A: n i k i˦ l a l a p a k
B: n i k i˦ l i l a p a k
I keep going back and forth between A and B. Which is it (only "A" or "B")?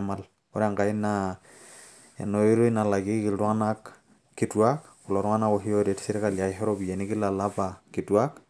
A